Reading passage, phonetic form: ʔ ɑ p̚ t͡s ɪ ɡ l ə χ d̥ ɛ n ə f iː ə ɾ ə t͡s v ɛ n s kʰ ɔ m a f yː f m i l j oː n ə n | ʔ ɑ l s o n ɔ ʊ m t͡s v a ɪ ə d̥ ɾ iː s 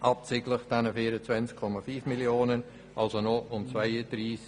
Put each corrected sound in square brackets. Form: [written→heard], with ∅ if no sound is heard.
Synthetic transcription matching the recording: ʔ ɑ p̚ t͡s ɪ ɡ l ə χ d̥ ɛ n ə f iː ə ɾ ə t͡s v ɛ n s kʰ ɔ m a f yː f m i l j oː n ə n | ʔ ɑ l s o n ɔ ʊ m t͡s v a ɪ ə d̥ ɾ iː s